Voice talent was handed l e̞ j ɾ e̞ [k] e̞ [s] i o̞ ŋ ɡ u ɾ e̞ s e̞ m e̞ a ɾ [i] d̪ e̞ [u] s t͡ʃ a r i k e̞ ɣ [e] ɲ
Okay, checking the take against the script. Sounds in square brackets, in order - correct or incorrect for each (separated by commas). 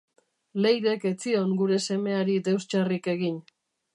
correct, incorrect, correct, incorrect, incorrect